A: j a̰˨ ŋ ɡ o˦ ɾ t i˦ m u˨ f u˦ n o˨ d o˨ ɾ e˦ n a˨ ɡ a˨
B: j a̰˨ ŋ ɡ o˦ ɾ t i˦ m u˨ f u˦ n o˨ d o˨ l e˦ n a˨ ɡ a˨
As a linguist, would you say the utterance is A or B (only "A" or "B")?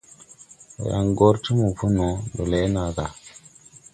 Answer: B